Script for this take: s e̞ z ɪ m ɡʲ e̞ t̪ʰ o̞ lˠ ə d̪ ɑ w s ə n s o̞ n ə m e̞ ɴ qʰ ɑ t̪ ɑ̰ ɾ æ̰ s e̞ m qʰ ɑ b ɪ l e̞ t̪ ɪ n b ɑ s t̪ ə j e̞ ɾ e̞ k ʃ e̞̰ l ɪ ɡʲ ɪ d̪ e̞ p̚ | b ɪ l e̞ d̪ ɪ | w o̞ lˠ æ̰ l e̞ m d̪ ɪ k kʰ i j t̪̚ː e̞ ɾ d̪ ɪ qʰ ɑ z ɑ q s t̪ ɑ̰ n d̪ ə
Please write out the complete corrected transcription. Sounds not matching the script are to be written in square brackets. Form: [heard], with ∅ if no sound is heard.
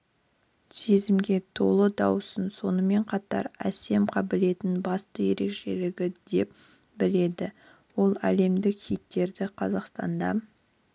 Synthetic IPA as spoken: s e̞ z ɪ m ɡʲ e̞ t̪ʰ o̞ lˠ ə d̪ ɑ w s ə n s o̞ n ə m e̞ ɴ qʰ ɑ t̪ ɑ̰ ɾ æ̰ s e̞ m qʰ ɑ b ɪ l e̞ t̪ ɪ n b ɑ s t̪ ə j e̞ ɾ e̞ k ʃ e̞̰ l ɪ ɡʲ ɪ d̪ e̞ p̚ | b ɪ l e̞ d̪ ɪ | w o̞ lˠ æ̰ l e̞ m d̪ ɪ k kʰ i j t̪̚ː e̞ ɾ d̪ ɪ qʰ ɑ z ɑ q s t̪ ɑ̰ n d̪ [ɑ]

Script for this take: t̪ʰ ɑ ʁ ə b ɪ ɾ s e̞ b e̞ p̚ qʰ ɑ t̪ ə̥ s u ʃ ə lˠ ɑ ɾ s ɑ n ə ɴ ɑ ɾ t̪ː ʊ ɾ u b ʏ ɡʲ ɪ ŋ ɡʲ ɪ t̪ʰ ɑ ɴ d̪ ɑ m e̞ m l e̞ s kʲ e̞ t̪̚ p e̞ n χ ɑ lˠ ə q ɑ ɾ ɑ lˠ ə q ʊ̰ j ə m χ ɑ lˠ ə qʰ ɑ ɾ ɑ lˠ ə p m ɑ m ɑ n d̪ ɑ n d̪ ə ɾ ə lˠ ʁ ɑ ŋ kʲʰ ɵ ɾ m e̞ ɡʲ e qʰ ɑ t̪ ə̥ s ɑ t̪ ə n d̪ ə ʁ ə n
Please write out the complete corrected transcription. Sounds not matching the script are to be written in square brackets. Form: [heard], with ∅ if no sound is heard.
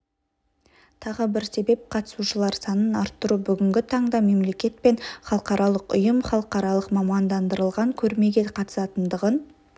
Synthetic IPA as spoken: t̪ʰ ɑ ʁ ə b ɪ ɾ s e̞ b e̞ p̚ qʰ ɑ t̪ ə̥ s u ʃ ə lˠ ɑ ɾ s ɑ n ə [n] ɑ ɾ t̪ː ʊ ɾ u b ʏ ɡʲ ɪ ŋ ɡʲ ɪ t̪ʰ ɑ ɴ d̪ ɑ m e̞ m l e̞ [∅] kʲ e̞ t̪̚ p e̞ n χ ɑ lˠ ə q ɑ ɾ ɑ lˠ ə q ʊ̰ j ə m χ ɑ lˠ ə [q] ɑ ɾ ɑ lˠ ə [q] m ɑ m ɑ n d̪ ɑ n d̪ ə ɾ ə lˠ ʁ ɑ ŋ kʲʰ ɵ ɾ m e̞ ɡʲ e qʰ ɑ t̪ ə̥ s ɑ t̪ ə n d̪ ə ʁ ə n

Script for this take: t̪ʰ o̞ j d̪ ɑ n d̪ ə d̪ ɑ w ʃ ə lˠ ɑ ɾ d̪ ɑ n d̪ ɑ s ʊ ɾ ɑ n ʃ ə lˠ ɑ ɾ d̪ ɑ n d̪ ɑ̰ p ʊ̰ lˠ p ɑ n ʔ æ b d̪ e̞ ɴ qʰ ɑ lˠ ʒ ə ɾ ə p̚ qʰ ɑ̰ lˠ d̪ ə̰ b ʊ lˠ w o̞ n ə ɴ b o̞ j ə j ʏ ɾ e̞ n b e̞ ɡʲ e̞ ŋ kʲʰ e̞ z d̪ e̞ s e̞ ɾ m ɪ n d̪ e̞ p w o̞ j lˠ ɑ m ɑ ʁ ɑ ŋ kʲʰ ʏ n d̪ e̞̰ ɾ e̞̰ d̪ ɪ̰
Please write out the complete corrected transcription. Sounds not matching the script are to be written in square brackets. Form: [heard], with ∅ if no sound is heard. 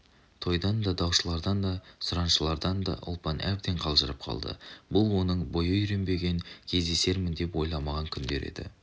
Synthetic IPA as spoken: t̪ʰ o̞ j d̪ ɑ n d̪ [ɑ] d̪ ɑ w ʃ ə lˠ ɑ ɾ d̪ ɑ n d̪ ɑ s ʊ ɾ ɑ n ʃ ə lˠ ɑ ɾ d̪ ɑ n d̪ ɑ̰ [ʔ] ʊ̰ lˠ p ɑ n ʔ æ b d̪ e̞ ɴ qʰ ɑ lˠ ʒ ə ɾ ə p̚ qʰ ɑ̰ lˠ d̪ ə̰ b ʊ lˠ w o̞ n ə ɴ b o̞ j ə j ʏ ɾ e̞ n b e̞ ɡʲ e̞ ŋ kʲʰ e̞ z d̪ e̞ s e̞ ɾ m ɪ n d̪ e̞ p w o̞ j lˠ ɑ m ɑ ʁ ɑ ŋ kʲʰ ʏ n d̪ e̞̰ ɾ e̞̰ d̪ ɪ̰

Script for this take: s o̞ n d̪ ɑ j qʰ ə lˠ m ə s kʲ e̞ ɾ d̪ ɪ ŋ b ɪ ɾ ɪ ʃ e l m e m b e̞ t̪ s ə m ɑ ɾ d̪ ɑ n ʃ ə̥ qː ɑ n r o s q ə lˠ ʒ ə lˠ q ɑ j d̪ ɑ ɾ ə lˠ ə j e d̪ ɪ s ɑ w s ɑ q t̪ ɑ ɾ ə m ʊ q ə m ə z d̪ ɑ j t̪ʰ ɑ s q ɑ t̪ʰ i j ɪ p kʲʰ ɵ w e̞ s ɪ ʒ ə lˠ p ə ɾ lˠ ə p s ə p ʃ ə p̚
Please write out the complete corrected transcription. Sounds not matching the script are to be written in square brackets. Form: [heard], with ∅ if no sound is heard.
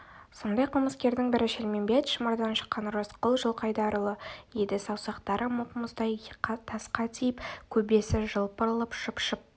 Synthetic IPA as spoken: s o̞ n d̪ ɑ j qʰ ə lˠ m ə s kʲ e̞ ɾ d̪ ɪ ŋ b ɪ ɾ ɪ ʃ e l m e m b e̞ t̪ [ʃ] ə m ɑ ɾ d̪ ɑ n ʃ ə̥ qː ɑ n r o s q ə lˠ ʒ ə lˠ q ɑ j d̪ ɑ ɾ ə lˠ ə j e d̪ ɪ s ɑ w s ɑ q t̪ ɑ ɾ ə m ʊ q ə m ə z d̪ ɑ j t̪ʰ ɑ s q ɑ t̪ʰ i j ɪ p kʲʰ ɵ [b] e̞ s ɪ ʒ ə lˠ p ə ɾ lˠ ə p [ʃ] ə p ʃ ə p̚

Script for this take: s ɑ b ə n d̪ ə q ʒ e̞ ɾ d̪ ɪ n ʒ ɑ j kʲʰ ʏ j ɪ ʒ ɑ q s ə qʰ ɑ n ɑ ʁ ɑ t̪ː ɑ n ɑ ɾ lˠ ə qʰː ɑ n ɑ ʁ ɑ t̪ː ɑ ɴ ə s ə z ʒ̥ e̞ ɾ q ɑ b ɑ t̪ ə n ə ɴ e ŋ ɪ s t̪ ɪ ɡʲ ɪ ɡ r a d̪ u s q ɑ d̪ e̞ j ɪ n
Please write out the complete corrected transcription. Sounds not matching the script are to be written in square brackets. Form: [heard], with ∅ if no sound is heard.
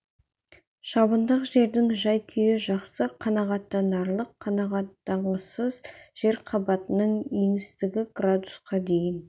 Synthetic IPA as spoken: [ʃ] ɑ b ə n d̪ ə q ʒ e̞ ɾ d̪ ɪ [ŋ] ʒ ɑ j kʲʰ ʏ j ɪ ʒ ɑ q s ə qʰ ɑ n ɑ ʁ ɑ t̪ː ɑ n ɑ ɾ lˠ ə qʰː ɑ n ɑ ʁ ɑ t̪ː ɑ ɴ ə s ə z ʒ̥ e̞ ɾ [qʰ] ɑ b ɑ t̪ ə n ə ɴ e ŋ ɪ s t̪ ɪ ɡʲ ɪ ɡ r a d̪ u s q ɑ d̪ e̞ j ɪ n

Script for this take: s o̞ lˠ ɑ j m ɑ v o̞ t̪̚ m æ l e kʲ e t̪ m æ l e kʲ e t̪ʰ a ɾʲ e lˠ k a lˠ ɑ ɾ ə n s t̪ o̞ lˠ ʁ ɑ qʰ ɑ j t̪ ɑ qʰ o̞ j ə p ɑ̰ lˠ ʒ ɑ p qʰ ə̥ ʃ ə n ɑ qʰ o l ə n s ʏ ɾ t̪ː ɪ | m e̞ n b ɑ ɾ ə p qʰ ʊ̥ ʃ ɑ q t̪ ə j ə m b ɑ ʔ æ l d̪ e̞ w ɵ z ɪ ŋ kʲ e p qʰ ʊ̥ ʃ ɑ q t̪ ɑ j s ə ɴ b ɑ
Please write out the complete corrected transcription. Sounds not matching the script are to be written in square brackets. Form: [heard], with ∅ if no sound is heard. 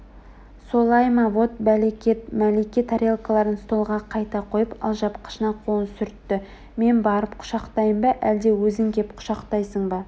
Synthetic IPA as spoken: s o̞ lˠ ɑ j m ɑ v o̞ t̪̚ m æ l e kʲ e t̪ m æ l e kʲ e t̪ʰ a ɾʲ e lˠ k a lˠ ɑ ɾ ə n s t̪ o̞ lˠ ʁ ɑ qʰ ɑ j t̪ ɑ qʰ o̞ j ə p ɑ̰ lˠ ʒ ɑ p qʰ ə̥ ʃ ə n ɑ qʰ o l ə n s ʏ ɾ t̪ː ɪ | m e̞ n b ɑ ɾ ə p qʰ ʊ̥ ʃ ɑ q t̪ [ɑ] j ə m b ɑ ʔ æ l d̪ e̞ w ɵ z ɪ ŋ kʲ e p qʰ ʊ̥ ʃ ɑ q t̪ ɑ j s ə ɴ b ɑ

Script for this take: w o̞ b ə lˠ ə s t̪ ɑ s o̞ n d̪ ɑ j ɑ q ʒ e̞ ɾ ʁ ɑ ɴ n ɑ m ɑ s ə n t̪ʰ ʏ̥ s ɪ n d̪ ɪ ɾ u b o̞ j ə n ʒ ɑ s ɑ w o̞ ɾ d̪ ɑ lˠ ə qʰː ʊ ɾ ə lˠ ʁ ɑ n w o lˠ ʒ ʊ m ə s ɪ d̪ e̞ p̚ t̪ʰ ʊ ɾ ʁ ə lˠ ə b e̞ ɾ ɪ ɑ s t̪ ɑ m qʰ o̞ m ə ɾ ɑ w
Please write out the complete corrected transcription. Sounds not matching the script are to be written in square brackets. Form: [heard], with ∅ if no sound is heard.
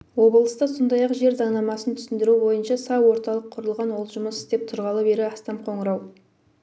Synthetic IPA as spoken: w o̞ b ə lˠ ə s t̪ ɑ s o̞ n d̪ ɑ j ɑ q ʒ e̞ ɾ [z] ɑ ɴ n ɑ m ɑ s ə n t̪ʰ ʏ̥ s ɪ n d̪ ɪ ɾ u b o̞ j ə n [ʃ] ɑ s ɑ w o̞ ɾ [t̪] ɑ lˠ ə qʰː ʊ ɾ ə lˠ ʁ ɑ n w o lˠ ʒ ʊ m ə s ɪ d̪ e̞ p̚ t̪ʰ ʊ ɾ ʁ [ɑ] lˠ ə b e̞ ɾ ɪ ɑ s t̪ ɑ m qʰ o̞ [ɴ] ə ɾ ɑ w

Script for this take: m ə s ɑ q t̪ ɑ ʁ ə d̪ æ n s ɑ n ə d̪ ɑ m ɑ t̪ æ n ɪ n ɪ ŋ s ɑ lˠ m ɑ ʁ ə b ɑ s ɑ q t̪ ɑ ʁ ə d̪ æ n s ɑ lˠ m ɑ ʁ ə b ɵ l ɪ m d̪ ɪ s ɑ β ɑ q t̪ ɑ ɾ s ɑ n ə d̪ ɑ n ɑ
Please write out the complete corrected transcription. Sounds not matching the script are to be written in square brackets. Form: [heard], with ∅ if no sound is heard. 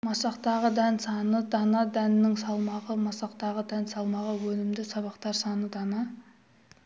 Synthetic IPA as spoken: m [ɑ] s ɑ q t̪ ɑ ʁ ə d̪ æ n s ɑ n ə d̪ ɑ [n] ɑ [d̪] æ n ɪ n ɪ ŋ s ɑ lˠ m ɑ ʁ ə [m] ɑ s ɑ q t̪ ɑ ʁ ə d̪ æ n s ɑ lˠ m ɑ ʁ ə [w] ɵ l ɪ m d̪ ɪ s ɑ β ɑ q t̪ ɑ ɾ s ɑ n ə d̪ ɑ n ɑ

